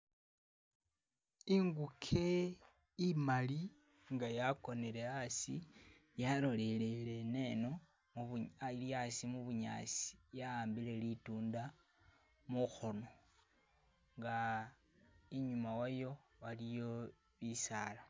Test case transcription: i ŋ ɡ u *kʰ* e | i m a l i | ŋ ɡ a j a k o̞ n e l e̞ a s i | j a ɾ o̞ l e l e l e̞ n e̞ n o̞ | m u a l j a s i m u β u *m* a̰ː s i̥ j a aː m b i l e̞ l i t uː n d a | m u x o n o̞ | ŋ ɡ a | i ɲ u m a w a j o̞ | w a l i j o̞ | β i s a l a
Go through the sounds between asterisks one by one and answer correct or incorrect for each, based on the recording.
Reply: correct, incorrect: ɲ

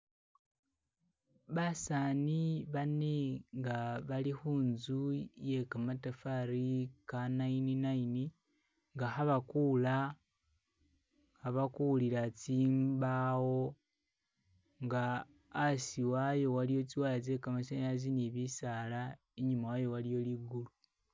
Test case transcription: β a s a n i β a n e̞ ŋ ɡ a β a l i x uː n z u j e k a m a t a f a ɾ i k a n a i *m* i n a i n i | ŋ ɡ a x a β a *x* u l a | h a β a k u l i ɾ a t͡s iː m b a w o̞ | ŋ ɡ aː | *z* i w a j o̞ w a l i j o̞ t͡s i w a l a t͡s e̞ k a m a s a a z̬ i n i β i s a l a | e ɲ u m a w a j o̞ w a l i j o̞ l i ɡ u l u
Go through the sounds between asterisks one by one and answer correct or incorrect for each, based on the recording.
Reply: incorrect: n, incorrect: k, incorrect: s

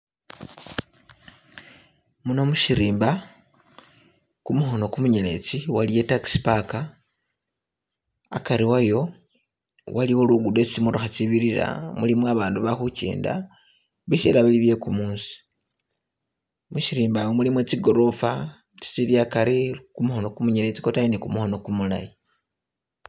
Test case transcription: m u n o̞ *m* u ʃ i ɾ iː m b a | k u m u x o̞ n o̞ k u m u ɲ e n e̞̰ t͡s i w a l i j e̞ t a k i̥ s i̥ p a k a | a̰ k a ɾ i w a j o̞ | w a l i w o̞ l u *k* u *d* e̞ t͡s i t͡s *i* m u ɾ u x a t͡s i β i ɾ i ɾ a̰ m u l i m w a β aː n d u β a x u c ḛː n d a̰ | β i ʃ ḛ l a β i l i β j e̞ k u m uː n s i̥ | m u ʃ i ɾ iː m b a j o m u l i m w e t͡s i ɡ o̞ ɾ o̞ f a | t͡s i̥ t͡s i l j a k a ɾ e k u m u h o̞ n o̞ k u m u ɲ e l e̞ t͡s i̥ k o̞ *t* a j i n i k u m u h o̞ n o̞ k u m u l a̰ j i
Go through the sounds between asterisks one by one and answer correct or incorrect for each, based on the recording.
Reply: correct, incorrect: ɡ, correct, correct, correct

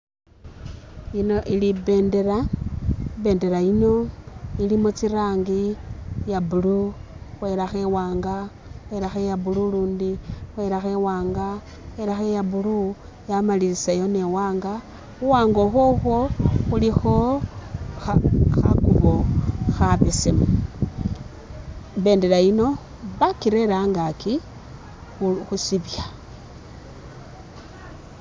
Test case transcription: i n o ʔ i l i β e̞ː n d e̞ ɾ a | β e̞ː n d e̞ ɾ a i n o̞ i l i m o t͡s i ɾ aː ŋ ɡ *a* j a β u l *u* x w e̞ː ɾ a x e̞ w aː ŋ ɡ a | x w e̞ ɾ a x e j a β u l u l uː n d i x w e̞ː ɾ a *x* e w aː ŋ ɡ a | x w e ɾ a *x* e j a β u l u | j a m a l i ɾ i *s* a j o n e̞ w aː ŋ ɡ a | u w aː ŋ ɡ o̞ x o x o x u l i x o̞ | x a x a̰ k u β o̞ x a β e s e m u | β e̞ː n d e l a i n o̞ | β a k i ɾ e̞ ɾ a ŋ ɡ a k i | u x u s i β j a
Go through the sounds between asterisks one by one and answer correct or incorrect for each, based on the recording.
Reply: incorrect: i, correct, correct, correct, correct

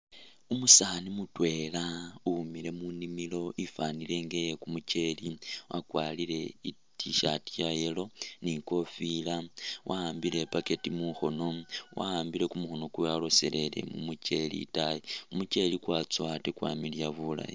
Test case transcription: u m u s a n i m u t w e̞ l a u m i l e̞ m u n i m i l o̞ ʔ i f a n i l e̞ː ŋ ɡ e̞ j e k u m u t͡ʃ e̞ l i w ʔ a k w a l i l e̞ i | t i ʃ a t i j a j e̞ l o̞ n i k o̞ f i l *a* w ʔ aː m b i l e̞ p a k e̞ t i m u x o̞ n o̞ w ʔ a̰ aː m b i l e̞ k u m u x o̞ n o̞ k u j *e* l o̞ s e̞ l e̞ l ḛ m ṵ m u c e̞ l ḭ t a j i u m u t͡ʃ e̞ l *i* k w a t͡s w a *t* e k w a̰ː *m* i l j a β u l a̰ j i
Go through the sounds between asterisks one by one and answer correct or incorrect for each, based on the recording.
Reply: correct, incorrect: a, correct, correct, correct

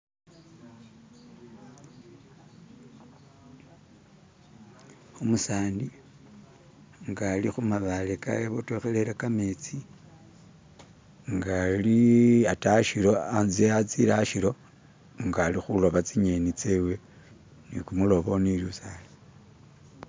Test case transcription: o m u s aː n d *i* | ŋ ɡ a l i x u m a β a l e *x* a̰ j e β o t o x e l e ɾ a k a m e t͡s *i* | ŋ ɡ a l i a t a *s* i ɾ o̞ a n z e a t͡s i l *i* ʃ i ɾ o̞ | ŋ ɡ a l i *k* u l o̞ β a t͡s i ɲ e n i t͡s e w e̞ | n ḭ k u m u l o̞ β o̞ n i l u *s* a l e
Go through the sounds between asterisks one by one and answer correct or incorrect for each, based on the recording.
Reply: correct, incorrect: k, correct, incorrect: ʃ, incorrect: a, incorrect: x, correct

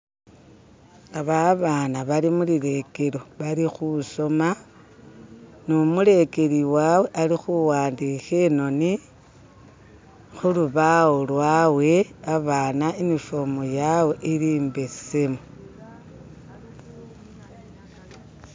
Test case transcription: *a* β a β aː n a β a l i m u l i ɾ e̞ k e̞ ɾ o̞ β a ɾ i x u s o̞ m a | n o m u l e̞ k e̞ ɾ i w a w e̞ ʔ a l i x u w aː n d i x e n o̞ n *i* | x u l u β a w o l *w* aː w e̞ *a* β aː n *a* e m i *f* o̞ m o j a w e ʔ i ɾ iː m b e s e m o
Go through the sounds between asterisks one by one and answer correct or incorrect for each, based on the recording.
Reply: correct, correct, correct, correct, correct, correct

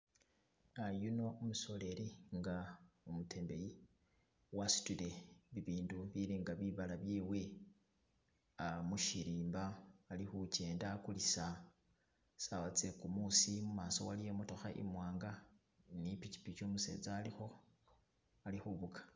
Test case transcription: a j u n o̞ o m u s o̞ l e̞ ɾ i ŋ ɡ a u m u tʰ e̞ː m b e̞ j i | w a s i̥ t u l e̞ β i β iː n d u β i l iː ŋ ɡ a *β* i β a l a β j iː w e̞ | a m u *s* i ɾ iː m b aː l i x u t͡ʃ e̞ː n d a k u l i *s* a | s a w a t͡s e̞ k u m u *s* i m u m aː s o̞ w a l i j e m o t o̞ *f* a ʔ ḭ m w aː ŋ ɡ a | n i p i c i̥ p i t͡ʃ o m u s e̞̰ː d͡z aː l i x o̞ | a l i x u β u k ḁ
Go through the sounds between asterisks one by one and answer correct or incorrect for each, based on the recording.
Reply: correct, incorrect: ʃ, correct, correct, incorrect: x

